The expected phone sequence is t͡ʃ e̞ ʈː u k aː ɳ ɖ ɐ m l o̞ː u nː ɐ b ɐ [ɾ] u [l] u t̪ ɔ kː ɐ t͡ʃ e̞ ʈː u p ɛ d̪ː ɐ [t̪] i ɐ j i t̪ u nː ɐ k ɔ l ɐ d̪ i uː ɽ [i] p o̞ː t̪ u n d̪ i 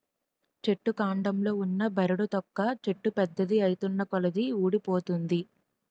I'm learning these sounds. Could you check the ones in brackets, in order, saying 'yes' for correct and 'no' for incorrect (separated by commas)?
yes, no, no, yes